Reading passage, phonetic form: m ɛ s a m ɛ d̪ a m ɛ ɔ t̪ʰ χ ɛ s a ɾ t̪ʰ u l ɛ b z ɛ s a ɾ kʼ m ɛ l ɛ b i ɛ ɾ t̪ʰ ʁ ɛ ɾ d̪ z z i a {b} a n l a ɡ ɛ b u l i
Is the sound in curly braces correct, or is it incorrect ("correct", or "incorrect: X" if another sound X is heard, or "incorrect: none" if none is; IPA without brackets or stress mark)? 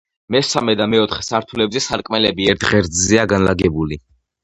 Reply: incorrect: ɡ